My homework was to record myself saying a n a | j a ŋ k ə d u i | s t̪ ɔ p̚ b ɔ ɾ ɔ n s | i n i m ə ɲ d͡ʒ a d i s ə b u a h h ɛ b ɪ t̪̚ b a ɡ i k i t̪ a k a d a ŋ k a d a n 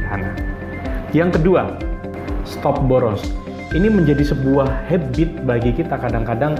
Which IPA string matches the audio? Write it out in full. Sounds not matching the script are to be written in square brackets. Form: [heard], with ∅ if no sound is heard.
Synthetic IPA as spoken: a n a | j a ŋ k ə d u [a] | s t̪ ɔ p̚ b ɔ ɾ ɔ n s | i n i m ə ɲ d͡ʒ a d i s ə b u a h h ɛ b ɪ t̪̚ b a ɡ i k i t̪ a k a d a ŋ k a d a [ŋ]